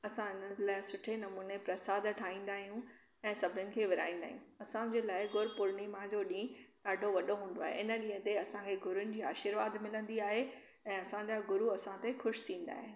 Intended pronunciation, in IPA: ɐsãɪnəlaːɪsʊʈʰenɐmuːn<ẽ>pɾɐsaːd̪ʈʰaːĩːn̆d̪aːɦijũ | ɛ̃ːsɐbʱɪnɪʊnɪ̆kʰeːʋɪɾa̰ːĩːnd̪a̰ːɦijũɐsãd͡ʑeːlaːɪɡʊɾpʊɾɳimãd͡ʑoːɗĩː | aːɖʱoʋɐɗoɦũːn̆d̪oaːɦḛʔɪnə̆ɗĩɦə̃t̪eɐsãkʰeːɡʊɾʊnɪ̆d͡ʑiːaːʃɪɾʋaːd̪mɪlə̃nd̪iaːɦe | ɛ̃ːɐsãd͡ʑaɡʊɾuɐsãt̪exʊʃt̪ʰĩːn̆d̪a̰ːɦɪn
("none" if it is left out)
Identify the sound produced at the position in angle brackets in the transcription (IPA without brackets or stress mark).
e